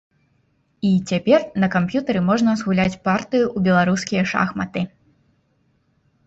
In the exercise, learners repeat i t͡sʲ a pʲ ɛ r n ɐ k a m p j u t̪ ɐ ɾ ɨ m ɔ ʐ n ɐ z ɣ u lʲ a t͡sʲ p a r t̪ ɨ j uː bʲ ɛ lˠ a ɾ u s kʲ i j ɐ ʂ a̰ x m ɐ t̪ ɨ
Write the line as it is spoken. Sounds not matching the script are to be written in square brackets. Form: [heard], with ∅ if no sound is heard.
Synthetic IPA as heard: i t͡sʲ a pʲ ɛ r n ɐ k a m p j u t̪ ɐ ɾ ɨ m ɔ ʐ n ɐ z ɣ u lʲ a t͡sʲ p a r t̪ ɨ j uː bʲ ɛ lˠ a ɾ u s kʲ i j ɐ ʂ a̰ x m ɐ t̪ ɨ